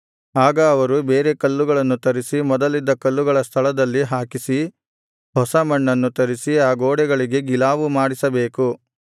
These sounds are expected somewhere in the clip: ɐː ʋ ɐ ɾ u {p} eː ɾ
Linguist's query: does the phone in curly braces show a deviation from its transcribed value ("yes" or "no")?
yes